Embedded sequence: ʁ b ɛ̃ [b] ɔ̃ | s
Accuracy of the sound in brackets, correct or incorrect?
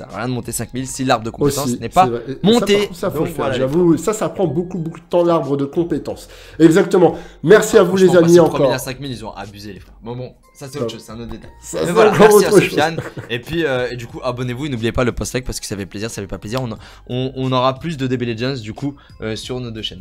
correct